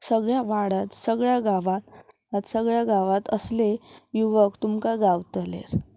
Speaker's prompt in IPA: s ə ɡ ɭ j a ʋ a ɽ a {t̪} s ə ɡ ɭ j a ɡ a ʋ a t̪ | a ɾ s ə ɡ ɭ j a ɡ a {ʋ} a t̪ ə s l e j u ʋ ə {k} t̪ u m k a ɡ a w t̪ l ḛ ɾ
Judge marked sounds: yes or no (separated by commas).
yes, yes, yes